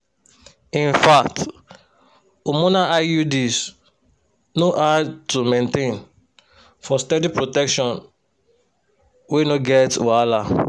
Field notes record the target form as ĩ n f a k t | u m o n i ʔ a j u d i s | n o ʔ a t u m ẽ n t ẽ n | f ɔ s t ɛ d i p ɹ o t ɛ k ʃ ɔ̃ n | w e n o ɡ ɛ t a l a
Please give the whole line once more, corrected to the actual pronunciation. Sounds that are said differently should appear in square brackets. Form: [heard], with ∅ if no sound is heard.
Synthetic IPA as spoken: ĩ n f a k t | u m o n [a] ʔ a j u d i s | n o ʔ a t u m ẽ n t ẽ n | f ɔ s t ɛ d i p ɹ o t ɛ k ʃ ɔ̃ n | w e n o ɡ ɛ t a l a